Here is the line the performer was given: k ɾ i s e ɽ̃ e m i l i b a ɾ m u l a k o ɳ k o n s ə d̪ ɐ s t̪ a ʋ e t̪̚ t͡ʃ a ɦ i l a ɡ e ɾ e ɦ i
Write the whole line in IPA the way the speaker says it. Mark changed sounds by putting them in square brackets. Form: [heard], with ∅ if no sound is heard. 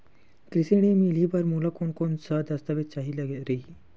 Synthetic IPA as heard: k ɾ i s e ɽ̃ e m i l i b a ɾ m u l a k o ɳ k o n s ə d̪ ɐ s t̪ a ʋ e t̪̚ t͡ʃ a ɦ i l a ɡ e ɾ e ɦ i